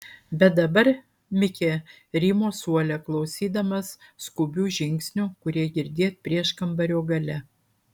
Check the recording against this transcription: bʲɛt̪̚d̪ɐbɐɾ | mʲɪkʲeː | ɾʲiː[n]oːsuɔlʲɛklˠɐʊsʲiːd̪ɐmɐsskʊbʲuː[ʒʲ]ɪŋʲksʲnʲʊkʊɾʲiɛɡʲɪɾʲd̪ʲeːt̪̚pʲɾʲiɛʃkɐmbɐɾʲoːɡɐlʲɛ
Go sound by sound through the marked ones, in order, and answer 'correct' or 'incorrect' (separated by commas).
incorrect, correct